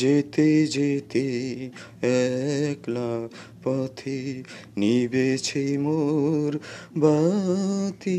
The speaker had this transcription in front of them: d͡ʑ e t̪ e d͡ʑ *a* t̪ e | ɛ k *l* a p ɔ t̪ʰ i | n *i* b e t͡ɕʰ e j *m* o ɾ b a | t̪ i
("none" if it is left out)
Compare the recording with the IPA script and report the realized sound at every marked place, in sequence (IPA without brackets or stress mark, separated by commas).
e, l, i, m